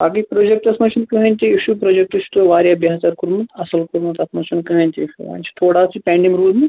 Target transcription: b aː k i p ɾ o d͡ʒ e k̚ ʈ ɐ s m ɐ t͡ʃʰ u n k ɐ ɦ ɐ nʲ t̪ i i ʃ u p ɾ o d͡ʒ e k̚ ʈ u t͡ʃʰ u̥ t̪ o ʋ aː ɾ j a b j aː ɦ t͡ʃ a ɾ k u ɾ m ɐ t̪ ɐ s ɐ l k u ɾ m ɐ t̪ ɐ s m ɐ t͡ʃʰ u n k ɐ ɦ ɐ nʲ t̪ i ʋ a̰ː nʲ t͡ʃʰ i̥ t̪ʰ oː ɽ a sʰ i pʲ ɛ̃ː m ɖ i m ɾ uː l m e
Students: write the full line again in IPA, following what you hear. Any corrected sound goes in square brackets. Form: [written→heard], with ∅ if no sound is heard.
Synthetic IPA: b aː k i p ɾ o d͡ʒ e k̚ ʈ ɐ s m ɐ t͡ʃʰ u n k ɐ ɦ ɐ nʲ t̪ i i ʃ u p ɾ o d͡ʒ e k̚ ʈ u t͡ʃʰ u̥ t̪ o ʋ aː ɾ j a b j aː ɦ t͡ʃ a ɾ k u ɾ m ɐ t̪ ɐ s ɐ l k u ɾ m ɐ t̪ ɐ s m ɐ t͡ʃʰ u n k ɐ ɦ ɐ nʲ t̪ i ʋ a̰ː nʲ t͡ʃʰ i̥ t̪ʰ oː ɽ a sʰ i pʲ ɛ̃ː [m→ɳ] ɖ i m ɾ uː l m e